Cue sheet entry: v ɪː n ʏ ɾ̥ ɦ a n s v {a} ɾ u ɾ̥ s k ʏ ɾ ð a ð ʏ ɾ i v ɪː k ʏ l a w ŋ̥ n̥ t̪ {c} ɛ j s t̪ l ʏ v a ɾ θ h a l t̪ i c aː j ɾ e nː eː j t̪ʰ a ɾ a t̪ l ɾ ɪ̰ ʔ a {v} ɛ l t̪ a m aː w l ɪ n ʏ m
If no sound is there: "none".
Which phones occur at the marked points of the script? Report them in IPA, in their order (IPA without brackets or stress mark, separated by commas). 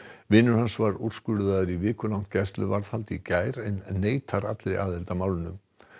a, c, ð